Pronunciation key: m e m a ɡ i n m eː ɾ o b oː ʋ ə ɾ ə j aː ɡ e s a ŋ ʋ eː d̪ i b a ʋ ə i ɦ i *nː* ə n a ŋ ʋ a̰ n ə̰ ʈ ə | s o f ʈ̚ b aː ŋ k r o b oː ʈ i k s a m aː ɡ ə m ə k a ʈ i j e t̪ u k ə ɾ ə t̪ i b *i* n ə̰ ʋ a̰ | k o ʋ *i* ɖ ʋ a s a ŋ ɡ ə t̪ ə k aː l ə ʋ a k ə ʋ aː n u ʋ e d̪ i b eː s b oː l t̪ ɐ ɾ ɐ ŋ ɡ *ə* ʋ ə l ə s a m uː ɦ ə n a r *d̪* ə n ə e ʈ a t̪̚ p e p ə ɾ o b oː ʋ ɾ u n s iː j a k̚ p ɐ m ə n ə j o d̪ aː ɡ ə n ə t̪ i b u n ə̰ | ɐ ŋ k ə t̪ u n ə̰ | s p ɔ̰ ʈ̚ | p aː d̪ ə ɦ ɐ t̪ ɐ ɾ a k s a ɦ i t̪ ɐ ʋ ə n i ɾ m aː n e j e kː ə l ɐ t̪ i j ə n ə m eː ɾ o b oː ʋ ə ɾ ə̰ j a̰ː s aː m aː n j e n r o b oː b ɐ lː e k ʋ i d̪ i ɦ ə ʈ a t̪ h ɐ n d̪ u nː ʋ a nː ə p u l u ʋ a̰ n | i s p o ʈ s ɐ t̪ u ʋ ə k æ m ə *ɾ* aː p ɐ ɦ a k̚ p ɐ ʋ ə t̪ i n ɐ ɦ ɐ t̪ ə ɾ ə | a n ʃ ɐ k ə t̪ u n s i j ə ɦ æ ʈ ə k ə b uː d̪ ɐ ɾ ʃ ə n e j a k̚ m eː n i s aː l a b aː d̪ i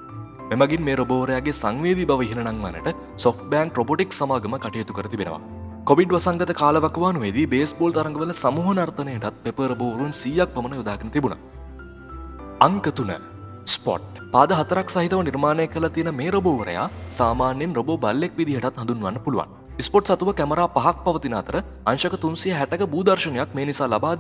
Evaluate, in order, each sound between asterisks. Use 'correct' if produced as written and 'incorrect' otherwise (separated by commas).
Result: incorrect, incorrect, correct, correct, incorrect, correct